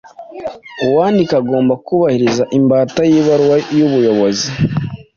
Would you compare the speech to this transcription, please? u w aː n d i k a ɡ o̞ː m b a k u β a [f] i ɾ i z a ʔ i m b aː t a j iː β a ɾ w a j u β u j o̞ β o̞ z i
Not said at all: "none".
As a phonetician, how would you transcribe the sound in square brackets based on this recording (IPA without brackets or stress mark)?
h